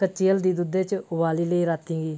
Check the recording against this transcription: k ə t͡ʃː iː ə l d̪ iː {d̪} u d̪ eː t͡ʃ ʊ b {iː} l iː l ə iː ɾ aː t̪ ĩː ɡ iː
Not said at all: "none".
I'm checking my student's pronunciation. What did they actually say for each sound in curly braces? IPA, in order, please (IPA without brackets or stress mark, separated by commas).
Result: d̪, aː